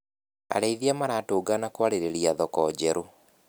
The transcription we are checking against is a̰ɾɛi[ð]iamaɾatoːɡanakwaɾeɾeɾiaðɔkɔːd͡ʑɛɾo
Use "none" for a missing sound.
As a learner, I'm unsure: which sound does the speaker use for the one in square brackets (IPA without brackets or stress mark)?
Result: ð